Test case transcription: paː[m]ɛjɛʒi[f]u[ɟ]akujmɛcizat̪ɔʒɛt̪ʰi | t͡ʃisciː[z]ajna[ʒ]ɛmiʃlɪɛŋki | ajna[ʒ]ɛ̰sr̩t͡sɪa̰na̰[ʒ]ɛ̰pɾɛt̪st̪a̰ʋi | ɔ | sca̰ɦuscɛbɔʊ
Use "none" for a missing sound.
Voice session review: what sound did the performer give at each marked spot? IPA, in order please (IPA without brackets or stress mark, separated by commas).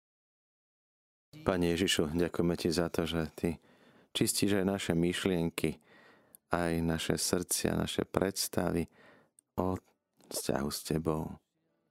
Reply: ɲ, ʃ, ɟ, ʒ, ʃ, ʃ, ʃ